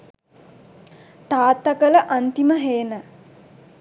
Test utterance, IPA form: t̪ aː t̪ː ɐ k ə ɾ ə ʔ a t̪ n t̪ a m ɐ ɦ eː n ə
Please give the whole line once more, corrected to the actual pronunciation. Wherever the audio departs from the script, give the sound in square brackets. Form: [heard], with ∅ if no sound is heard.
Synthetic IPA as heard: t̪ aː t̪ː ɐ k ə [l] ə ʔ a [∅] n t̪ [i] m [ə] ɦ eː n ə